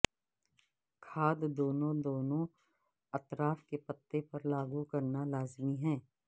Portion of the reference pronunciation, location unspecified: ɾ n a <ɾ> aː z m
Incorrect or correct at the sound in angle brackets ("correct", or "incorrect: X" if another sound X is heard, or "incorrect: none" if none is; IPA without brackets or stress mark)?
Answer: incorrect: l